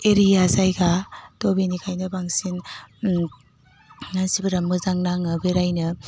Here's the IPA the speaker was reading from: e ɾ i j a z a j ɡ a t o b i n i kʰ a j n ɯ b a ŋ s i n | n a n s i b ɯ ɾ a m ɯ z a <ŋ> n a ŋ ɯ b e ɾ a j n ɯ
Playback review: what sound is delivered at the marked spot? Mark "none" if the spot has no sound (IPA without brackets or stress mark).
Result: ŋ